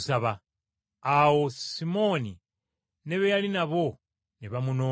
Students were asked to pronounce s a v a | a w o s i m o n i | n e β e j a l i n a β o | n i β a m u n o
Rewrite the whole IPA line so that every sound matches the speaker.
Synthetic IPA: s a β a | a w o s i m o n i | n e β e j a l i n a β o | n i β a m u n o